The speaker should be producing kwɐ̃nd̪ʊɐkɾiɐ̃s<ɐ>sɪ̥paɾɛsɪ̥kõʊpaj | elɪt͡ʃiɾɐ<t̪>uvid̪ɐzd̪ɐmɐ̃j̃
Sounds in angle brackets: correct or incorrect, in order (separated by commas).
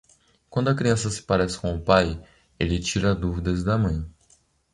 correct, incorrect